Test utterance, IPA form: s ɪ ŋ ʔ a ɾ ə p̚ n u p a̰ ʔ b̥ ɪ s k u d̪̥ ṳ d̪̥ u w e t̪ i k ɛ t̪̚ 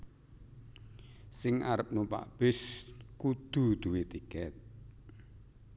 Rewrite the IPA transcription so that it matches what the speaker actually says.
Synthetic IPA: s ɪ ŋ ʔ a ɾ ə p̚ n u p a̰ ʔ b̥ ɪ s k u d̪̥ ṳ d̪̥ u w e t̪ i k ɛ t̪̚

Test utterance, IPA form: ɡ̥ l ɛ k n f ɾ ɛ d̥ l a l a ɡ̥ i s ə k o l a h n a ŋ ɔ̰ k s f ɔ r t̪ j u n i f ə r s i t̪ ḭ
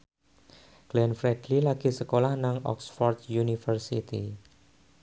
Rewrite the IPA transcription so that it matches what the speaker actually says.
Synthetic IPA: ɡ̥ l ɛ n f ɾ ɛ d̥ l i l a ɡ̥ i s ə k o l a h n a ŋ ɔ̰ k s f ɔ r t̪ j u n i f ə r s i t̪ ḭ

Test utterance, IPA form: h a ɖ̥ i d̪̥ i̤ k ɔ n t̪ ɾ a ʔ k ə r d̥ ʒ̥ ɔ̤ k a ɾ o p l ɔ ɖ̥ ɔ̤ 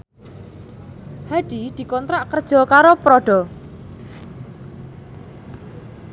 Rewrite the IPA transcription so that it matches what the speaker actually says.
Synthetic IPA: h a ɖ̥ i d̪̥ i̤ k ɔ n t̪ ɾ a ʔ k ə r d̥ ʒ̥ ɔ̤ k a ɾ o p ɾ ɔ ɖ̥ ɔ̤

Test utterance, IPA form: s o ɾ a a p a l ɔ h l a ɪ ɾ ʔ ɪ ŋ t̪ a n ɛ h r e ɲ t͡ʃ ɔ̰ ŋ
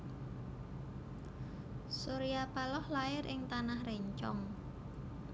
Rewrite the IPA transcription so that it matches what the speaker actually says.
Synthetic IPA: s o ɾ i a p a l ɔ h l a ɪ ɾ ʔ ɪ ŋ t̪ a n a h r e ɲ t͡ʃ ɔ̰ ŋ

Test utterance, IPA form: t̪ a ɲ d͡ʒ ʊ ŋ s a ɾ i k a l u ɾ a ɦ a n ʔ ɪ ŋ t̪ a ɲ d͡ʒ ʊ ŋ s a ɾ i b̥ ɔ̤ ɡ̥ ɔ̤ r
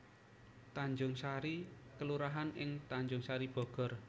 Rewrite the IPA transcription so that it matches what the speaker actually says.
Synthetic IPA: t̪ a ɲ d͡ʒ ʊ ŋ s a ɾ i k ə l u ɾ a ɦ a n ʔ ɪ ŋ t̪ a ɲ d͡ʒ ʊ ŋ s a ɾ i b̥ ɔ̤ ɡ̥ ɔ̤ r

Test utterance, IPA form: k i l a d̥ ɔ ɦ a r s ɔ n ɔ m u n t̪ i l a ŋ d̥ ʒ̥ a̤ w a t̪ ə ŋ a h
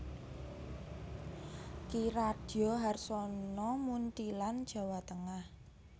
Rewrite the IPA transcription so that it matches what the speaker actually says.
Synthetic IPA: k i ɾ a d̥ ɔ ɦ a r s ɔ n ɔ m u n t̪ i l a n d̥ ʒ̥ a̤ w a t̪ ə ŋ a h

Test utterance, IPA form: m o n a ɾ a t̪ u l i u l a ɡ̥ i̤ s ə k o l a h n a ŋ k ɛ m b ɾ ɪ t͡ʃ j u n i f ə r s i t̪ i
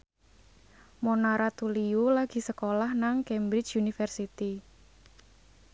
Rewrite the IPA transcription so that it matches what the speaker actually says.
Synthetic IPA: m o n a ɾ a t̪ u l i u l a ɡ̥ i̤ s ə k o l a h n a ŋ k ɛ m b ɾ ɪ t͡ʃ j u n i f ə r s i t̪ i

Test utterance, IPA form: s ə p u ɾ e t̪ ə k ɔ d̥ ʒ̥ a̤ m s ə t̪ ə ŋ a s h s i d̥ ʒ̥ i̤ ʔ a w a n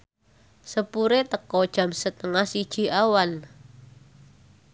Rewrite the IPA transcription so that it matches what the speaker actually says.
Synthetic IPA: s ə p u ɾ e t̪ ə k ɔ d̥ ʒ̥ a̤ m s ə t̪ ə ŋ a h s i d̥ ʒ̥ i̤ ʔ a w a n

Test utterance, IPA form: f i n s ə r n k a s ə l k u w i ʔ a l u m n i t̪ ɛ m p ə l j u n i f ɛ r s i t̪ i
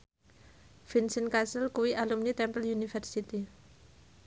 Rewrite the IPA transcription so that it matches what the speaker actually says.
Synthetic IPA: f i n s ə n k a s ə l k u w i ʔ a l u m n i t̪ ɛ m p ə l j u n i f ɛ r s i t̪ i

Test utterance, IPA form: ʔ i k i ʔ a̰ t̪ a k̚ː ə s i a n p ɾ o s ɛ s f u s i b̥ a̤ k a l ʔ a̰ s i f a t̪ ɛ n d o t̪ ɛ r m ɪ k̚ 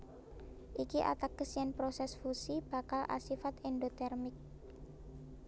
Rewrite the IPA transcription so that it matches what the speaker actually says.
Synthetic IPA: ʔ i k i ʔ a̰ t̪ a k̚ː ə s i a n p ɾ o s ɛ s f u s i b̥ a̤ k a l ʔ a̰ s i f a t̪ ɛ n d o t̪ ɛ r m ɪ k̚

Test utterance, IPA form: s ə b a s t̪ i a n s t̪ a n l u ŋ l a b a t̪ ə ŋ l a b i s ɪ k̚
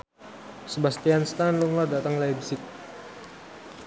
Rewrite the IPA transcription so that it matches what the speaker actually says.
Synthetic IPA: s ə b a s t̪ i a n s t̪ a n l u ŋ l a d a t̪ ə ŋ l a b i s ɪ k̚

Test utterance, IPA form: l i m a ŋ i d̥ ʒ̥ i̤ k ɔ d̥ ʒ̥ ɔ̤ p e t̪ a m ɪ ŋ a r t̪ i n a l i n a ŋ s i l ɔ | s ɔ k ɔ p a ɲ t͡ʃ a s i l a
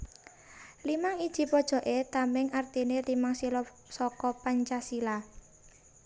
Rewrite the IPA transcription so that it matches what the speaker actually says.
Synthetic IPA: l i m a ŋ i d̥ ʒ̥ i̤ p ɔ d̥ ʒ̥ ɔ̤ ʔ e t̪ a m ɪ ŋ a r t̪ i n e l i m a ŋ s i l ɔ | s ɔ k ɔ p a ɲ t͡ʃ a s i l a

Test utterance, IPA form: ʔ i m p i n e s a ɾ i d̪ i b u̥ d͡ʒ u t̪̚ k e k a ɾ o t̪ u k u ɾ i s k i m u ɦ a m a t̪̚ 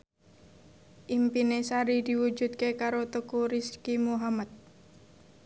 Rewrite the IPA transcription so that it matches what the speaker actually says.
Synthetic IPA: ʔ i m p i n e s a ɾ i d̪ i w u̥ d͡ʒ u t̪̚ k e k a ɾ o t̪ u k u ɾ i s k i m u ɦ a m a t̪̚

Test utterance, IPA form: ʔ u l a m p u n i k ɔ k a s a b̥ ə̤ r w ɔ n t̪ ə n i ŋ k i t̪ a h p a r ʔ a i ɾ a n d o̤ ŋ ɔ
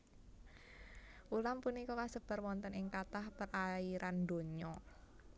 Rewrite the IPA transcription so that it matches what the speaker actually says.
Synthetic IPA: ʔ u l a m p u n i k ɔ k a s ə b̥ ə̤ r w ɔ n t̪ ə n ɪ ŋ k a t̪ a h p ə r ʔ a i ɾ a n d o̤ ɲ ɔ

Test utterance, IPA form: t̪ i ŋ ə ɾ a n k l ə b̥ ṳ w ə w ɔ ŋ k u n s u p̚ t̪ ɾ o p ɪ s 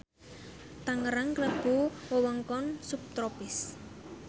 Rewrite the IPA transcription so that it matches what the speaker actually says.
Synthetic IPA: t̪ a ŋ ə ɾ a ŋ k l ə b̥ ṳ w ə w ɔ ŋ k ɔ n s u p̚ t̪ ɾ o p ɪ s

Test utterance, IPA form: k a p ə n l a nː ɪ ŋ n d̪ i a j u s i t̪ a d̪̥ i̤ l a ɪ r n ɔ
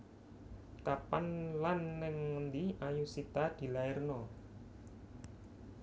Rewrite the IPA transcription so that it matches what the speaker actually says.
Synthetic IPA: k a p a n l a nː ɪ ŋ n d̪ i a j u s i t̪ a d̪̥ i̤ l a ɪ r n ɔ

